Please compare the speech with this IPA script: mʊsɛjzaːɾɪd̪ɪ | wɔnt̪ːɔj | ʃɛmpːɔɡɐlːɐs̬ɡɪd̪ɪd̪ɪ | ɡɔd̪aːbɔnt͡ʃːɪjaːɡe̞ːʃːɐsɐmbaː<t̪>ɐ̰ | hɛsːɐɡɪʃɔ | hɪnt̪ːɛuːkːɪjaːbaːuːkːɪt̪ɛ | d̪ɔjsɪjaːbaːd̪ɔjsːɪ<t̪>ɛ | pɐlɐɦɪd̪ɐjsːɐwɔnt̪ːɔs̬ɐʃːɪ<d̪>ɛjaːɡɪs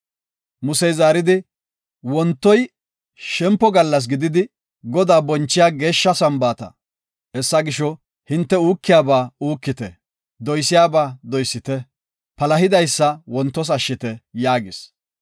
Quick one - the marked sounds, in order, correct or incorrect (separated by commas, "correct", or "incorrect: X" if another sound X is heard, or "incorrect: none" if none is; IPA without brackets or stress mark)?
correct, correct, incorrect: t̪